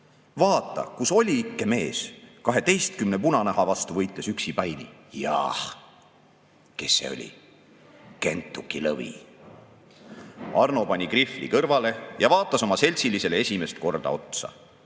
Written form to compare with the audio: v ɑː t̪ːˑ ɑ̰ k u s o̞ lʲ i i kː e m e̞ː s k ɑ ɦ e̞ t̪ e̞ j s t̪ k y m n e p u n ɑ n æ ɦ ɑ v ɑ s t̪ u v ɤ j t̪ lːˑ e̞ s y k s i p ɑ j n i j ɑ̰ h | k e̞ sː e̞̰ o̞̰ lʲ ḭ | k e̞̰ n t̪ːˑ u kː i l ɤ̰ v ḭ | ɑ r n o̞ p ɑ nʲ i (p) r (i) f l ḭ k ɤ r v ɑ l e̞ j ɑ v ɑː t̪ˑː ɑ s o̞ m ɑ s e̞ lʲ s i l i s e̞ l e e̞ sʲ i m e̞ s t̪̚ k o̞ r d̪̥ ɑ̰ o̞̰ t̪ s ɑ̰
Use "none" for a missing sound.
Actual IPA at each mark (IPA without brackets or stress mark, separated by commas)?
k, i